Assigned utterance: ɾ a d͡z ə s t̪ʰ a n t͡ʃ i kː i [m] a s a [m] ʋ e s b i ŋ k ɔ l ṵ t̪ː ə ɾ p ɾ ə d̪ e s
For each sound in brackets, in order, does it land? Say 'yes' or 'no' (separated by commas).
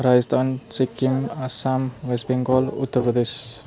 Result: yes, yes